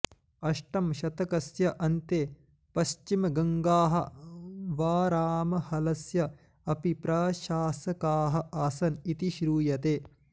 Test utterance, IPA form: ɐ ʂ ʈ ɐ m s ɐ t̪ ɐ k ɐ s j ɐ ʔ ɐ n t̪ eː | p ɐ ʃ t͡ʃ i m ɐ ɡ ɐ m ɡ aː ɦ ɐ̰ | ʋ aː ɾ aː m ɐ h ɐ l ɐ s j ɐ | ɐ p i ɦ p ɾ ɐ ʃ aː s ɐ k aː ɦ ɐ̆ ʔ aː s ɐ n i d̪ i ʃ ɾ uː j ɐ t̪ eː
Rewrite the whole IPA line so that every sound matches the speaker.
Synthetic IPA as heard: ɐ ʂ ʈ ɐ m ʃ ɐ t̪ ɐ k ɐ s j ɐ ʔ ɐ n t̪ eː | p ɐ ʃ t͡ʃ i m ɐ ɡ ɐ ŋ ɡ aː ɦ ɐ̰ | ʋ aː ɾ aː m ɐ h ɐ l ɐ s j ɐ | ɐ p i p ɾ ɐ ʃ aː s ɐ k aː ɦ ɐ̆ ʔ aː s ɐ n i t̪ i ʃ ɾ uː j ɐ t̪ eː